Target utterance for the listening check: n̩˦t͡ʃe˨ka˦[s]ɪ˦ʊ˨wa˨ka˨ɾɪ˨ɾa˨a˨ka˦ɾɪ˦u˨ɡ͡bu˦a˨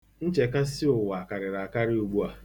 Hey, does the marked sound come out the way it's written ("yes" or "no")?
yes